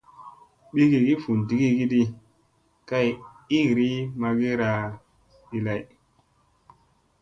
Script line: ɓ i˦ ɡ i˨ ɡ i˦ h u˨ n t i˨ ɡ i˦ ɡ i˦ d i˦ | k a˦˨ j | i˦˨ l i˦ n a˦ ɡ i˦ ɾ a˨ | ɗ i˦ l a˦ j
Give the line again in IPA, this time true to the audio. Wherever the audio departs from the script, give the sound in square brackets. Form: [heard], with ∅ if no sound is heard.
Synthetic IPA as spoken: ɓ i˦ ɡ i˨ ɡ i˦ [f] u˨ n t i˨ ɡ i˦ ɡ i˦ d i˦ | k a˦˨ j | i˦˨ [ɾ] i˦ [m] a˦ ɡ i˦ ɾ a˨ | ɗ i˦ l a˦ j